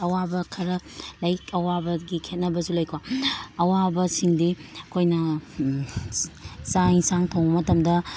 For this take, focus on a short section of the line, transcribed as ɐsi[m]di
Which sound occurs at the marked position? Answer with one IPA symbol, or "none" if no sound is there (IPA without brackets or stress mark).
ŋ